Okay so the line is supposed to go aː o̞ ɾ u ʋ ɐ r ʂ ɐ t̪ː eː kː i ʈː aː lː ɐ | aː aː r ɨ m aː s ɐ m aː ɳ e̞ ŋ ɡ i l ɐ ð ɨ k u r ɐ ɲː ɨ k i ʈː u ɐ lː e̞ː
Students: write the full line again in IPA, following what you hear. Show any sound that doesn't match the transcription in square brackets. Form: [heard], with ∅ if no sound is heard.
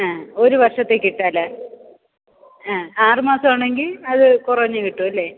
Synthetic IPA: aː o̞ ɾ u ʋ ɐ r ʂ ɐ t̪ː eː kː i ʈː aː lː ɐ | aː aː r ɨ m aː s ɐ m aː ɳ e̞ ŋ ɡ i l ɐ ð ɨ k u r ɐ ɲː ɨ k i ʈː u ɐ lː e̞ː